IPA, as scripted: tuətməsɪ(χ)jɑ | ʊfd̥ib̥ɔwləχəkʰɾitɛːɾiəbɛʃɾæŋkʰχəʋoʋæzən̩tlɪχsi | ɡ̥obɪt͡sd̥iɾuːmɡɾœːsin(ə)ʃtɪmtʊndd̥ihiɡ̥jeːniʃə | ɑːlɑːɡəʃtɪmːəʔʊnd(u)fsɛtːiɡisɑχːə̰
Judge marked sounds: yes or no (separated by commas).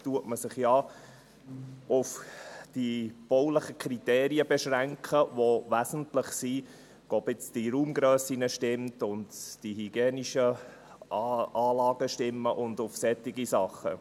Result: yes, yes, no